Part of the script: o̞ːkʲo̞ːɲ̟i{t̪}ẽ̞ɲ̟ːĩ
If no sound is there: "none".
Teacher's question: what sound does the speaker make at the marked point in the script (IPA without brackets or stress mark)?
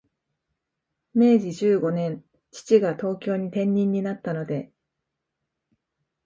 t̪